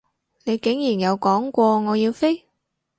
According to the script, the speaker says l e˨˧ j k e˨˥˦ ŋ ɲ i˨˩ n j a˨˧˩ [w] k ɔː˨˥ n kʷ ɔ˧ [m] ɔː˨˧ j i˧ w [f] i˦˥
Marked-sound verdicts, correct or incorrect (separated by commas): correct, incorrect, correct